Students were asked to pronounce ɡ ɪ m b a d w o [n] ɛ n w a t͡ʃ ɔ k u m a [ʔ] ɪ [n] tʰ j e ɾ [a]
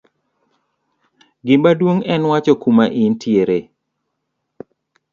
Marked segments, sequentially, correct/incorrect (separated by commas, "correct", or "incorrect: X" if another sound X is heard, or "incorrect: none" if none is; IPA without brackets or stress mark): incorrect: ŋ, correct, correct, incorrect: e